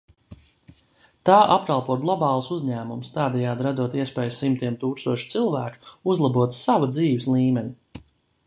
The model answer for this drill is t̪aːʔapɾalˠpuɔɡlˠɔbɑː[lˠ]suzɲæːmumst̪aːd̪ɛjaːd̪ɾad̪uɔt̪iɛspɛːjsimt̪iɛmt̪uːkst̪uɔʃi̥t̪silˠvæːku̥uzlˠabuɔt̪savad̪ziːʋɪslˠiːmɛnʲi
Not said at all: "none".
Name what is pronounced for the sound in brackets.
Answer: lˠ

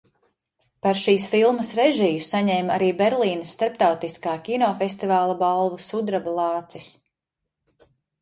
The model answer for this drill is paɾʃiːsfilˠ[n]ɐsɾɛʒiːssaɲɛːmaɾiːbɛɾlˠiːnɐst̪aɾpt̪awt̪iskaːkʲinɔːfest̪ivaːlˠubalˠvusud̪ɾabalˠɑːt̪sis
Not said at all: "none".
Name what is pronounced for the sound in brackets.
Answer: m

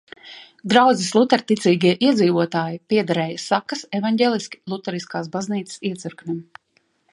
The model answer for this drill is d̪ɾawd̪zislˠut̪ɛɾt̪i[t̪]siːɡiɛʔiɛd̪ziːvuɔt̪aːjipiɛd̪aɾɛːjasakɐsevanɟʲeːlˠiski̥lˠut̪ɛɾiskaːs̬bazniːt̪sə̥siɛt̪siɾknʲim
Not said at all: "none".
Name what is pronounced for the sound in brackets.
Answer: t̪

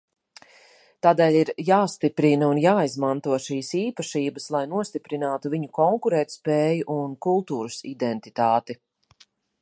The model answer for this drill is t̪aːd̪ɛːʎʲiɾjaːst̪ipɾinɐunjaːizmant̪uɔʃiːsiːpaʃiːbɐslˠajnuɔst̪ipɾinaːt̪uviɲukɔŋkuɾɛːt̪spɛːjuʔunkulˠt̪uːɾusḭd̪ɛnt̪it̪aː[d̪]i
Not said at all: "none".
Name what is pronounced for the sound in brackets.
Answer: t̪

